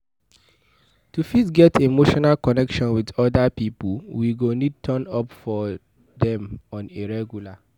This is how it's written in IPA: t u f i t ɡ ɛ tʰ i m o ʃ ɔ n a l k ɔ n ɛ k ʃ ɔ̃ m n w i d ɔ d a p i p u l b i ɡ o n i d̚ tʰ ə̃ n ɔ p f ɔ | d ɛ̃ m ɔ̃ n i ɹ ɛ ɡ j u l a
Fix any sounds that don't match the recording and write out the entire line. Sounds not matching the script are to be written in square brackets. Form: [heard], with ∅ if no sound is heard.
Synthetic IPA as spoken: t u f i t ɡ ɛ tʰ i m o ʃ ɔ n a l k ɔ n ɛ k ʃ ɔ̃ [∅] n w i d ɔ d a p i p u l [w] i ɡ o n i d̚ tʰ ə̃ n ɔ p f ɔ | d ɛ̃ m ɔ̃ n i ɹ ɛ ɡ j u l a